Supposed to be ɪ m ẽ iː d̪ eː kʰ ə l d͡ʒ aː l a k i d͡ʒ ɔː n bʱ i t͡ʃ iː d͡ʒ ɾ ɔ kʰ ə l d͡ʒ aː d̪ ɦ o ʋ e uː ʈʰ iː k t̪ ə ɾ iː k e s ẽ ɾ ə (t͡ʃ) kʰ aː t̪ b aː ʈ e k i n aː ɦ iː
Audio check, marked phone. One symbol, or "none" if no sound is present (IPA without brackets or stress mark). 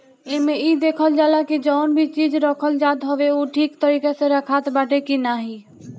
none